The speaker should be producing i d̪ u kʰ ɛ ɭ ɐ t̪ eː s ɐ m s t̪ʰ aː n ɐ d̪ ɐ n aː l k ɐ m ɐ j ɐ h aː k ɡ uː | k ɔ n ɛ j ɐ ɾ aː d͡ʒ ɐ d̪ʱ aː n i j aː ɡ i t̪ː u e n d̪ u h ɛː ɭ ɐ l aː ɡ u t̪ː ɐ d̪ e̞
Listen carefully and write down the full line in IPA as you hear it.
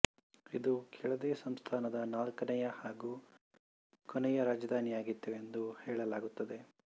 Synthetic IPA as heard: i d̪ u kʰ ɛ ɭ ɐ d̪ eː s ɐ m s t̪ʰ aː n ɐ d̪ ɐ n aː l k ɐ n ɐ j ɐ h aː ɡ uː | k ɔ n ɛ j ɐ ɾ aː d͡ʒ ɐ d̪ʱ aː n i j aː ɡ i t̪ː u e n d̪ u h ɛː ɭ ɐ l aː ɡ u t̪ː ɐ d̪ e̞